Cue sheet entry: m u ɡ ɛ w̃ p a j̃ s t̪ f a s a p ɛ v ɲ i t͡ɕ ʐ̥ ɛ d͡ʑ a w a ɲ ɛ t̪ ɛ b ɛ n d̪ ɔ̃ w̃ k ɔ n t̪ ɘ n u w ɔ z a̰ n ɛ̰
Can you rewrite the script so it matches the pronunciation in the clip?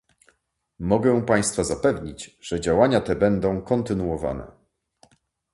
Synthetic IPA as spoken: m ɔ ɡ ɛ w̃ p a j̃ s t̪ f a z a p ɛ v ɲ i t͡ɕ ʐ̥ ɛ d͡ʑ a w a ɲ a t̪ ɛ b ɛ n d̪ ɔ̃ w̃ k ɔ n t̪ ɘ n u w ɔ v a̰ n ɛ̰